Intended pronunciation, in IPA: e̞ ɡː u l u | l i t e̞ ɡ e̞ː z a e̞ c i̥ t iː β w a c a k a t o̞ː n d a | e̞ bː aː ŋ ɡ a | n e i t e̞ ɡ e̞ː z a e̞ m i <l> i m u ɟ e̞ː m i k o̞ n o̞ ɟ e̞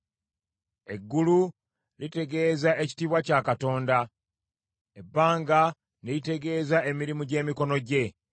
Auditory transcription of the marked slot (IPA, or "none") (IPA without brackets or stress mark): ɾ